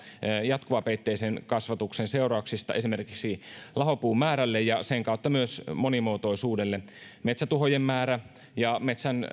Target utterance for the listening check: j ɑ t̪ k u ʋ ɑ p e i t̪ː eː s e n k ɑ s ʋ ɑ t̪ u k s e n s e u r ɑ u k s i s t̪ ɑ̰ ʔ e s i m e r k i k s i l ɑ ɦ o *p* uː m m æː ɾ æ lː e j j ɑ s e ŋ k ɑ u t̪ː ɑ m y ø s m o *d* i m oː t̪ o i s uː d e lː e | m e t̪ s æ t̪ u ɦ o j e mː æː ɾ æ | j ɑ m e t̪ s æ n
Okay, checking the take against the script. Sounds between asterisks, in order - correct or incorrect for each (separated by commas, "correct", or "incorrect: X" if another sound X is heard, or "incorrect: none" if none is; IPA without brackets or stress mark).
correct, incorrect: n